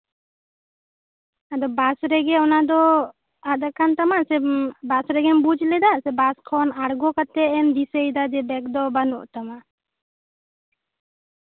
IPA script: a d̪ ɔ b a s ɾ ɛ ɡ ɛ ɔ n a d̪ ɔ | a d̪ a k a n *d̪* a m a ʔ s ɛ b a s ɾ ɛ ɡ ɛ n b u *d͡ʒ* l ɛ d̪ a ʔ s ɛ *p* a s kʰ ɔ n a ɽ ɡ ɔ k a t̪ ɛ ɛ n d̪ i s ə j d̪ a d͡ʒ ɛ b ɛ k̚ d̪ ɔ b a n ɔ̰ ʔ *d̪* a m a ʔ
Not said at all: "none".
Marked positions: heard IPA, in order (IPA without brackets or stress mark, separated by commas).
t̪, d͡ʒ, b, t̪